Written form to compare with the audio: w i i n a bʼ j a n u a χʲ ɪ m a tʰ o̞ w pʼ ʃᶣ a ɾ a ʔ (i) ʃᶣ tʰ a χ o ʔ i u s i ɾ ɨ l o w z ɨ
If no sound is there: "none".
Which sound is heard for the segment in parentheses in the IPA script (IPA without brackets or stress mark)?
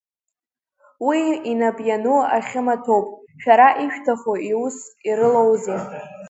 i